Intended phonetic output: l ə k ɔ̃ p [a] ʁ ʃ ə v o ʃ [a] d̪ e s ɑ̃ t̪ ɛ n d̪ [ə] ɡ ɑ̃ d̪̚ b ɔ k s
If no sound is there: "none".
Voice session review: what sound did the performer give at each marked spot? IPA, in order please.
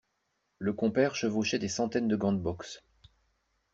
ɛ, ɛ, ə

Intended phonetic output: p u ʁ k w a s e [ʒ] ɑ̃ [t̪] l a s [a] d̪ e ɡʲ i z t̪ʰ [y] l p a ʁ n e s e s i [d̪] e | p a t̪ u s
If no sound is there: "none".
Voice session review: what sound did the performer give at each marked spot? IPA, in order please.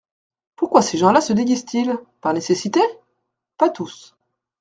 ʒ, none, ə, i, t̪

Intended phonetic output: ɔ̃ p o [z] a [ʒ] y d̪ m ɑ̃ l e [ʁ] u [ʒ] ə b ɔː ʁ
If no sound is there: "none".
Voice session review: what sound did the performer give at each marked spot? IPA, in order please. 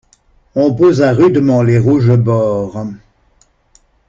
z, ʁ, ʁ, ʒ

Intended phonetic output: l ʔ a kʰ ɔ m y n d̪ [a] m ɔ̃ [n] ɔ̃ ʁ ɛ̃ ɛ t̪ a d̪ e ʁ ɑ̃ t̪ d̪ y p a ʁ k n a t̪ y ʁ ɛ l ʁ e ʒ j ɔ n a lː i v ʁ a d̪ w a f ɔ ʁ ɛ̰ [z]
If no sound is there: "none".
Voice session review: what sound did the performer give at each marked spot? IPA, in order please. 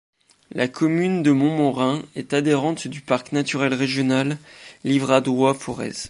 ə, m, z

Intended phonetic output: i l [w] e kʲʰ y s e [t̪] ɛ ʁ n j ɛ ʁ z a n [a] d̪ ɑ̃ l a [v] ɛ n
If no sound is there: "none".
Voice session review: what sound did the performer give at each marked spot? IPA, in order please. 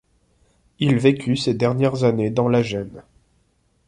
v, d̪, e, ʒ

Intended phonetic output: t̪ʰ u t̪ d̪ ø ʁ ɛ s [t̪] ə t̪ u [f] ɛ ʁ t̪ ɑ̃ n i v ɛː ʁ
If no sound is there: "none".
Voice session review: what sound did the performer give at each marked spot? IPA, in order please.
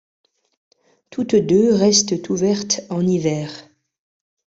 t̪, v

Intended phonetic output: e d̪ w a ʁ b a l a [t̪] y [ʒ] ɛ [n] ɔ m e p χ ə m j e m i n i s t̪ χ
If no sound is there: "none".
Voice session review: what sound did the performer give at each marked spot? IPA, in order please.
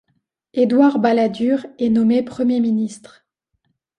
d̪, ʁ, n

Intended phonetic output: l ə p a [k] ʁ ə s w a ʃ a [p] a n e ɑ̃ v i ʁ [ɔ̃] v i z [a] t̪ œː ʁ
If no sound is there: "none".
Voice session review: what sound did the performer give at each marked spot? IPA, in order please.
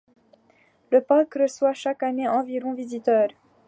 k, k, ɔ̃, i

